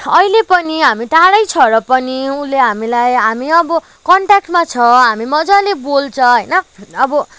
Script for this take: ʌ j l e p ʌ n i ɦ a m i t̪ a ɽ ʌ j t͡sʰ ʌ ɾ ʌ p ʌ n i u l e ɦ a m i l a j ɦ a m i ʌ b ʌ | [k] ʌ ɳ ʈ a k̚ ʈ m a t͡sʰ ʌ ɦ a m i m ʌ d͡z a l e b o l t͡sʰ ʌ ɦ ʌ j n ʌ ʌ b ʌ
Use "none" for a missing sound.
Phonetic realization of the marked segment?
k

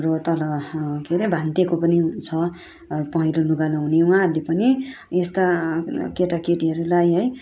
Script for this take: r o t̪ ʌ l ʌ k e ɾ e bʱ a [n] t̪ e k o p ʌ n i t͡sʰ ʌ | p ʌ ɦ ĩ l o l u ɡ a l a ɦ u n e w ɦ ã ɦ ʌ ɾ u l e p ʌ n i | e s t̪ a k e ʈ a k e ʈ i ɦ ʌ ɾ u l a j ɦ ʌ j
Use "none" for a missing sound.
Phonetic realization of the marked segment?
n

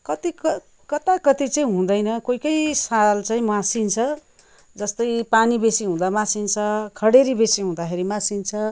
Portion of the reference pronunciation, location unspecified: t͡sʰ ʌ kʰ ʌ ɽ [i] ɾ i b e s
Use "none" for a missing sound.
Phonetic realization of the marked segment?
e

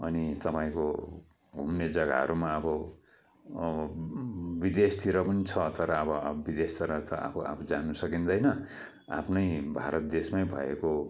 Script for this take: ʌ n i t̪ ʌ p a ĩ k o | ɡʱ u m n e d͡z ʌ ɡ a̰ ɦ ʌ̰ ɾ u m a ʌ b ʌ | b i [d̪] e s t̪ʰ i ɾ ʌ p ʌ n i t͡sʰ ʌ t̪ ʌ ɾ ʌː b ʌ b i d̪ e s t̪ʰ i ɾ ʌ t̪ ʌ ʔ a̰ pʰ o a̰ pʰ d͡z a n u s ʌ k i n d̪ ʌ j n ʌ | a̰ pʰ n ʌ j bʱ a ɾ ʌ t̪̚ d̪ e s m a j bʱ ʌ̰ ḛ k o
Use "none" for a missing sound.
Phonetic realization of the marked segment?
d̪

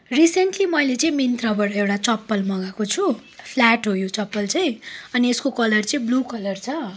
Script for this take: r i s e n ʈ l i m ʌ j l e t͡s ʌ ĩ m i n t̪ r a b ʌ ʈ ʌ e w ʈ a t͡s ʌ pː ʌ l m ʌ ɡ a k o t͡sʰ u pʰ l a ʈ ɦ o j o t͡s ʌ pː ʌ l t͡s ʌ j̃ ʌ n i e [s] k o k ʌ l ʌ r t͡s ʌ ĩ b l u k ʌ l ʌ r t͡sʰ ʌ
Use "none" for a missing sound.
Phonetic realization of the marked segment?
s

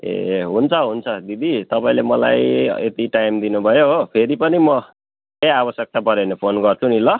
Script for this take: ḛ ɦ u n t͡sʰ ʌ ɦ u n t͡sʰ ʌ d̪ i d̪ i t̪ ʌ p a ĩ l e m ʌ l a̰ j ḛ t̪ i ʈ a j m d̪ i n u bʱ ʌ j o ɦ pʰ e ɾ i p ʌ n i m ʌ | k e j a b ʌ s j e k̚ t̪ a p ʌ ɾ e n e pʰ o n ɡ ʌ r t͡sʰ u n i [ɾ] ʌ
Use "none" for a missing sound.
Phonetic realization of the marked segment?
l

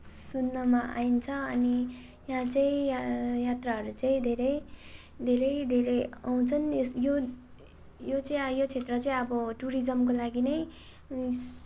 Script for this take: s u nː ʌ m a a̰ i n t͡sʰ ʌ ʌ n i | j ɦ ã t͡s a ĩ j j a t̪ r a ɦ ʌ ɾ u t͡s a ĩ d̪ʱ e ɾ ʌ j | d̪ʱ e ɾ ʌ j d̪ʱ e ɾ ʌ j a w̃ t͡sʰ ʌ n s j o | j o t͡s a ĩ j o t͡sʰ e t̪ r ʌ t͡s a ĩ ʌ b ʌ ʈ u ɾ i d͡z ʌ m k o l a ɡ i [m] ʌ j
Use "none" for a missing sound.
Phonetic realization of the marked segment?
n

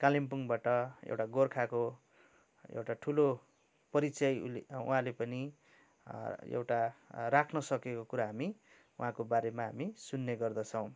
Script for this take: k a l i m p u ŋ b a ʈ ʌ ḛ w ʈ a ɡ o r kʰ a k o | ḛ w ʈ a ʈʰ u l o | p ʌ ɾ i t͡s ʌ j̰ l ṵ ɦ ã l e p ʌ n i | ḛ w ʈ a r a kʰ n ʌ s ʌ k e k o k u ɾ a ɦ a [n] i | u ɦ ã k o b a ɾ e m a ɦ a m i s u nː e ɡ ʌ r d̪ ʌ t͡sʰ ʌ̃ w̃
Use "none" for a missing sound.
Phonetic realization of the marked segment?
m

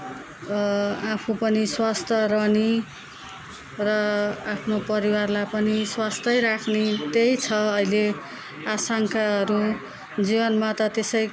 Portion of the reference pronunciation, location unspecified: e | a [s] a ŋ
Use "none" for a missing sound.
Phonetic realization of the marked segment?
s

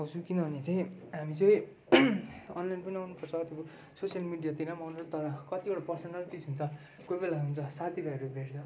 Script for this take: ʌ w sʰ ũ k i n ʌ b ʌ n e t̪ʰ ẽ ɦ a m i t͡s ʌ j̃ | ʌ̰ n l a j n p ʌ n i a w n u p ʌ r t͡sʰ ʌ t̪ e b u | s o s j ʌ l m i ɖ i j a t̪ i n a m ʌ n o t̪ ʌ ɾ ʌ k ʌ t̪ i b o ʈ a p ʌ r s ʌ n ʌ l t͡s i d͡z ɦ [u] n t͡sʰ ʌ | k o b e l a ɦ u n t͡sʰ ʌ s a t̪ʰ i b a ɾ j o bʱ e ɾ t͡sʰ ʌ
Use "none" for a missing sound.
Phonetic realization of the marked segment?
u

